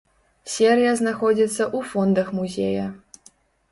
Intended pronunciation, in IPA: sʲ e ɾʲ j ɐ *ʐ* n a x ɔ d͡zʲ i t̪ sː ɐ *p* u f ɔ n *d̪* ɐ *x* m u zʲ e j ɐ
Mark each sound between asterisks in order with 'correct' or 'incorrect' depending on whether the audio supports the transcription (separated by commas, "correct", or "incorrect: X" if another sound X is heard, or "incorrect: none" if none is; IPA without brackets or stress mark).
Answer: incorrect: z, incorrect: ʔ, correct, correct